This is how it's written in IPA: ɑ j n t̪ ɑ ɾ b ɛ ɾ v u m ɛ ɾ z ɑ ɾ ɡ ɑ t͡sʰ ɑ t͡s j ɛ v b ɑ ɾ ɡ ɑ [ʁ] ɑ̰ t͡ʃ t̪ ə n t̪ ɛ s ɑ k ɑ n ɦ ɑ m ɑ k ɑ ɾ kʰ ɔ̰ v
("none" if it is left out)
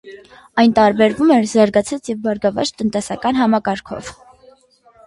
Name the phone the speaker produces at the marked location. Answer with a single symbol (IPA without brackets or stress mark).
v